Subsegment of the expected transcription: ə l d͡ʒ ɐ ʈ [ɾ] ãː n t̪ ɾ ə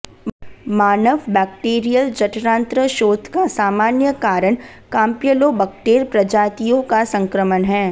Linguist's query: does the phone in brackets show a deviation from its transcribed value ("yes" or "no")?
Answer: no